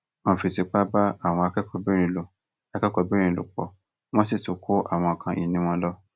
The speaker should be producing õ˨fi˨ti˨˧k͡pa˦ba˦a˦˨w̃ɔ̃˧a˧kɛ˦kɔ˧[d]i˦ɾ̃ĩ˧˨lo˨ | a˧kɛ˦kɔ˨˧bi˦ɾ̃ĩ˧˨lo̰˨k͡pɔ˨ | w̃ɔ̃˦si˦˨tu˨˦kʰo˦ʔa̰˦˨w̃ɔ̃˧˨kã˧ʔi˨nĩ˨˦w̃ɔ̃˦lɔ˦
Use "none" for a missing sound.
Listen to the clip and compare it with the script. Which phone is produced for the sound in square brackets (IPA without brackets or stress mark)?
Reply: b